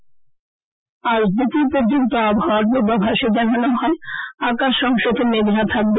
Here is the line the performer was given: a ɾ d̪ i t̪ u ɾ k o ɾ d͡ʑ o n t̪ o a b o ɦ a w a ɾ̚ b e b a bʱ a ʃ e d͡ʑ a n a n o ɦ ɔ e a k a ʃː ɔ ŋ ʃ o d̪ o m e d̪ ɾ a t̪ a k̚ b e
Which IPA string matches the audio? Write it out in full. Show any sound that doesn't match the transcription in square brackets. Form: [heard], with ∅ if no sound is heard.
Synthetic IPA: a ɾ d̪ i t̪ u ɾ [p] o ɾ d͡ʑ o n t̪ o a b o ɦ a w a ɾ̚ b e b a bʱ a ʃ e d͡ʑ a n a n o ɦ ɔ e a k a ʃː ɔ ŋ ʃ o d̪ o m e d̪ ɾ a [t̪ʰ] a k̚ b e